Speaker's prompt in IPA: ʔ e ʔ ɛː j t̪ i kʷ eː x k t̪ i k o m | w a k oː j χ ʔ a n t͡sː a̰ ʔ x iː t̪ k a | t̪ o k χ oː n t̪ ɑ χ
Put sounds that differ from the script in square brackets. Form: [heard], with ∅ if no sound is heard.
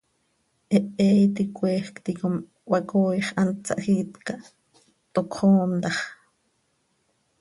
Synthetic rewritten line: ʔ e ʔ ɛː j t̪ i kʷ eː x k t̪ i k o m | w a k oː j χ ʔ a n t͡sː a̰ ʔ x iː t̪ k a | t̪ o k χ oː n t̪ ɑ χ